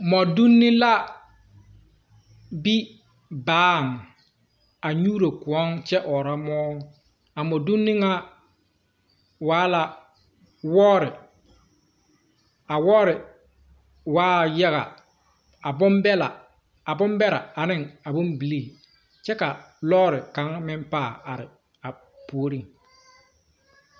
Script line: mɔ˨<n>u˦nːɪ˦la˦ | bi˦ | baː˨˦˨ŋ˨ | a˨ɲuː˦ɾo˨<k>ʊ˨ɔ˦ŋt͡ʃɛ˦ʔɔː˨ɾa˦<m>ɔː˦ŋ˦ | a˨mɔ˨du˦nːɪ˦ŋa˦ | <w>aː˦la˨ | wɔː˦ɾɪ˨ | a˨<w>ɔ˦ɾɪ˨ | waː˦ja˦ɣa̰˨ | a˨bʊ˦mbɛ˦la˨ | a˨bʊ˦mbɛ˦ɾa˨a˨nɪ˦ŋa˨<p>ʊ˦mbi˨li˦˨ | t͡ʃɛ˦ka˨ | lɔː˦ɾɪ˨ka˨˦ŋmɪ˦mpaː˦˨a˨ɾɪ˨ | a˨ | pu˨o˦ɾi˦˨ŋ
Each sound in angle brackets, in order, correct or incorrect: incorrect: d, correct, correct, correct, correct, incorrect: b

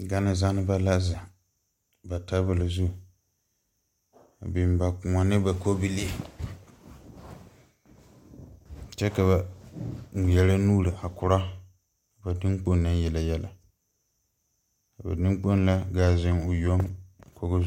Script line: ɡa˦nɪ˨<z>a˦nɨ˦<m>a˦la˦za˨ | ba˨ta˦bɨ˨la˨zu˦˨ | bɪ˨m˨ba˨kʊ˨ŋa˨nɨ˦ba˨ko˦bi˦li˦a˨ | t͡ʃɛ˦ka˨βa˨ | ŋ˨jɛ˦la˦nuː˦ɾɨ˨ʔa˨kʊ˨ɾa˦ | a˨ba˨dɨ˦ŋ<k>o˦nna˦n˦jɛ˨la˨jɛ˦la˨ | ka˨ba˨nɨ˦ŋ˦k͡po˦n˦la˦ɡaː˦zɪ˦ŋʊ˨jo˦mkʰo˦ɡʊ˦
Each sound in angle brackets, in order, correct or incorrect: correct, incorrect: b, incorrect: k͡p

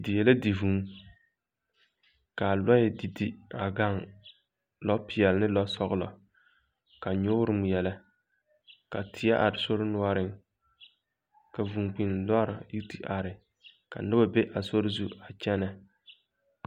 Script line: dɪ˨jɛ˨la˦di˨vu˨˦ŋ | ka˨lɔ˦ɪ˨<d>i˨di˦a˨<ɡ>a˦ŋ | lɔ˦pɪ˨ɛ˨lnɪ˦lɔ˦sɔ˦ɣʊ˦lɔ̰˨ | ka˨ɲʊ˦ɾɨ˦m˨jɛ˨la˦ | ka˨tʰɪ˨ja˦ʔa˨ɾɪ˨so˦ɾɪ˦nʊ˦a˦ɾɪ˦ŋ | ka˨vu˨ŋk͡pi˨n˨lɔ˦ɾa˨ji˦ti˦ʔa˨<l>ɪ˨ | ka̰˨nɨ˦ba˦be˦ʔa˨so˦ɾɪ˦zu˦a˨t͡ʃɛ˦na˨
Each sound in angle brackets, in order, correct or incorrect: correct, correct, incorrect: ɾ

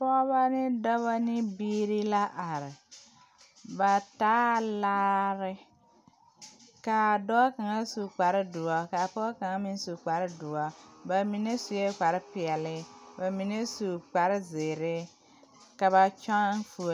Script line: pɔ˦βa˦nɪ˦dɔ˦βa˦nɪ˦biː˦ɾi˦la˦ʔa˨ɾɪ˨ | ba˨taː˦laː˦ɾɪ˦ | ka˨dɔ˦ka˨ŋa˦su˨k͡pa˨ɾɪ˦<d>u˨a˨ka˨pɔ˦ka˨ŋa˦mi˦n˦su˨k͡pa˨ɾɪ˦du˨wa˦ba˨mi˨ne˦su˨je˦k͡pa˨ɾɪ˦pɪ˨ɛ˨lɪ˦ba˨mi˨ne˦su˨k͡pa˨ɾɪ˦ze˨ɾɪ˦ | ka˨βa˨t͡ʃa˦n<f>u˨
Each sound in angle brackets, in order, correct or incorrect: correct, correct

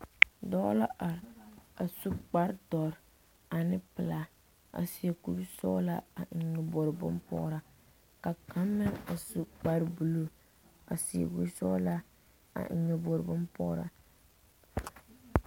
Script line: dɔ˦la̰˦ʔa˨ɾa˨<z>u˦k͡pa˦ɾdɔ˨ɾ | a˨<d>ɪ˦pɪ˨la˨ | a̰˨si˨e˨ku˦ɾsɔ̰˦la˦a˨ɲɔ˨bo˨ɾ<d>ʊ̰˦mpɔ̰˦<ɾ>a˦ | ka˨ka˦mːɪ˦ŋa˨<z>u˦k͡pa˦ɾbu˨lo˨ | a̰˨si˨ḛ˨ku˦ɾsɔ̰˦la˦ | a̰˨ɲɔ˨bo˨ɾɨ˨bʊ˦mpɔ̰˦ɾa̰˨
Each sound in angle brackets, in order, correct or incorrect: incorrect: s, incorrect: n, incorrect: b, correct, incorrect: s

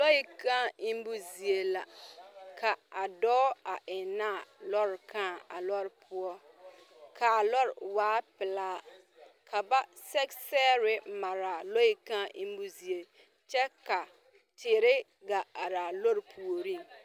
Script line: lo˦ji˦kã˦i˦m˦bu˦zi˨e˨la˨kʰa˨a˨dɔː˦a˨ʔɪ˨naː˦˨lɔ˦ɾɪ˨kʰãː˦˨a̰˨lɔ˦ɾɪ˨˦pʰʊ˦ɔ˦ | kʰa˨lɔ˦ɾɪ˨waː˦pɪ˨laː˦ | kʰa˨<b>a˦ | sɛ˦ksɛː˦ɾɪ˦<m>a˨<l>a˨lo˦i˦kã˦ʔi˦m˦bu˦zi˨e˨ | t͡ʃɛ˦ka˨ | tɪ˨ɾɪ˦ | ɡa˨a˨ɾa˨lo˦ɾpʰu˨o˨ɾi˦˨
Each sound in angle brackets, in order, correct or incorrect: correct, correct, incorrect: ɾ

